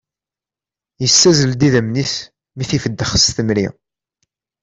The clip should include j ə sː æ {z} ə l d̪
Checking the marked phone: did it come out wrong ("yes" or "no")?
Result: no